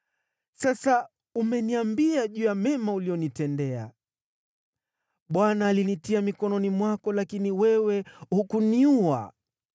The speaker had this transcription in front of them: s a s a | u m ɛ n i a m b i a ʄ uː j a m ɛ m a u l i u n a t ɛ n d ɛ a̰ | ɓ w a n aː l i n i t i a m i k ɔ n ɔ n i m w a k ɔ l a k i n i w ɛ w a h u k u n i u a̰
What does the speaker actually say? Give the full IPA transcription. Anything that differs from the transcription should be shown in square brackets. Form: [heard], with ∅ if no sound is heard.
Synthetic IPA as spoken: s a s a | u m ɛ n i a m b i a ʄ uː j a m ɛ m a u l i [ɔ] n [i] t ɛ n d ɛ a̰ | ɓ w a n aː l i n i t i a m i k ɔ n ɔ n i m w a k ɔ l a k i n i w ɛ w [ɛ] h u k u n i u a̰